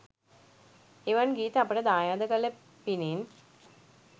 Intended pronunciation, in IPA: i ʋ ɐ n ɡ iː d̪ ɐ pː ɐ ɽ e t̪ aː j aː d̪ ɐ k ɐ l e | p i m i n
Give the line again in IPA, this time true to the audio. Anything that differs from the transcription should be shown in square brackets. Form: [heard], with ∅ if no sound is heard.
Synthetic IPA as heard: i ʋ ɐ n ɡ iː [t̪] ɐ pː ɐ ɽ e [d̪] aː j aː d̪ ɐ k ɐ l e | p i [n] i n